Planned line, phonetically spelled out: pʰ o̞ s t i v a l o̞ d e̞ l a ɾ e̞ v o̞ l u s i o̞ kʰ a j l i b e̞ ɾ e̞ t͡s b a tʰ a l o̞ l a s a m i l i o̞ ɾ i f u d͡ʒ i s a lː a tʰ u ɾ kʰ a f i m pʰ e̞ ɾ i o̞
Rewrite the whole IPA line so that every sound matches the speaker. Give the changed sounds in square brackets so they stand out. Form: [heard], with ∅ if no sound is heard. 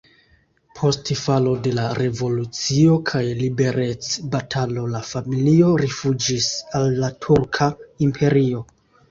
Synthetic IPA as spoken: pʰ o̞ s t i [f] a l o̞ d e̞ l a ɾ e̞ v o̞ l u [t͡s] i o̞ kʰ a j l i b e̞ ɾ e̞ t͡s b a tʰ a l o̞ l a [f] a m i l i o̞ ɾ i f u d͡ʒ i s a lː a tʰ u ɾ kʰ a [∅] i m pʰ e̞ ɾ i o̞